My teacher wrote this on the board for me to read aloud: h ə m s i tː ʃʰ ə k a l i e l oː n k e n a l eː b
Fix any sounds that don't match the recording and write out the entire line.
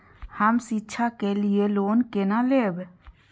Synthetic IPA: h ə m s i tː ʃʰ a k e l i e l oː n k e n a l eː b